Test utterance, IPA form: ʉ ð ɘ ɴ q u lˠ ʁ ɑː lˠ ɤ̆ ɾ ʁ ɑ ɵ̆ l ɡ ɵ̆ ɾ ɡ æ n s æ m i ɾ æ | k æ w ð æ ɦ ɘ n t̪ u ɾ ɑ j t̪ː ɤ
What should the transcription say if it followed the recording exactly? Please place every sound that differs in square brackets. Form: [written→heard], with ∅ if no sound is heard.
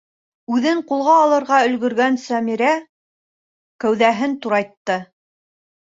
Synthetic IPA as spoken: ʉ ð ɘ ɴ q u lˠ ʁ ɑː lˠ ɤ̆ ɾ ʁ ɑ ɵ̆ l ɡ ɵ̆ ɾ ɡ æ n s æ m i ɾ æ | k æ w ð æ ɦ ɘ n t̪ u ɾ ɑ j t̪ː ɤ